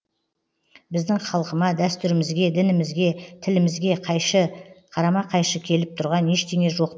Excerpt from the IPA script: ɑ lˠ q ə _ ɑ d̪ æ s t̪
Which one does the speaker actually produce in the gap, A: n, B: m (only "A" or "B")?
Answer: B